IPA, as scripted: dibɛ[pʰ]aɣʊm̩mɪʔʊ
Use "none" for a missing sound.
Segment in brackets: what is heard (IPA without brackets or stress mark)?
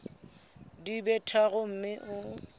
tʰ